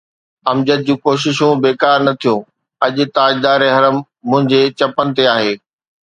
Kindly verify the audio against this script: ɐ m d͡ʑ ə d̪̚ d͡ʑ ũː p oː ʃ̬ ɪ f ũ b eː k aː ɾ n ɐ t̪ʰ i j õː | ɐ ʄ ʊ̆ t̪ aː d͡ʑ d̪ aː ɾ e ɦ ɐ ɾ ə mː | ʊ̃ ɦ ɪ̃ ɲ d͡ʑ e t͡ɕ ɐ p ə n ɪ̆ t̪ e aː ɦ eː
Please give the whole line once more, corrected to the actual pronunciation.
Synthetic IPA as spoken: ɐ m d͡ʑ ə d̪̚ d͡ʑ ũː k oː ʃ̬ ɪ ʃ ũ b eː k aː ɾ n ɐ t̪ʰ i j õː | ɐ ʄ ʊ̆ t̪ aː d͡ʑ d̪ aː ɾ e ɦ ɐ ɾ ə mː | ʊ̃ ɦ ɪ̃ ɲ d͡ʑ e t͡ɕ ɐ p ə n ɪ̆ t̪ e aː ɦ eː